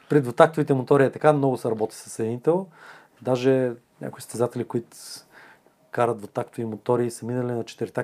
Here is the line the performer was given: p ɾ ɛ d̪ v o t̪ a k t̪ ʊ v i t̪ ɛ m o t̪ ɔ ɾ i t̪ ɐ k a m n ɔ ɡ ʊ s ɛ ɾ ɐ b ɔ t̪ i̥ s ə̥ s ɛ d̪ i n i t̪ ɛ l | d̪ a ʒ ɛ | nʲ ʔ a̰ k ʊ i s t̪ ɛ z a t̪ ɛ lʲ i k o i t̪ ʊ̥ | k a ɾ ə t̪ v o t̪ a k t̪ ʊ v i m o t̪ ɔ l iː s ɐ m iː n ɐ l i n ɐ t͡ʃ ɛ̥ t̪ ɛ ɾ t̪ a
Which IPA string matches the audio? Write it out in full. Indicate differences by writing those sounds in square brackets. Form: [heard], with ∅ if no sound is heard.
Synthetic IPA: p ɾ ɛ d̪ v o t̪ a k t̪ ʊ v i t̪ ɛ m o t̪ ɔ ɾ i t̪ ɐ k a m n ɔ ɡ ʊ s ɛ ɾ ɐ b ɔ t̪ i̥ s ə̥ s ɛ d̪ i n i t̪ ɛ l | d̪ a ʒ ɛ | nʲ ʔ a̰ k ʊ i s t̪ ɛ z a t̪ ɛ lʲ i k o i t̪ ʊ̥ | k a ɾ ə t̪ v o t̪ a k t̪ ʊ v i m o t̪ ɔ [ɾ] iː s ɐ m [i] n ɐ l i n ɐ t͡ʃ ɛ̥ t̪ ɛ ɾ t̪ a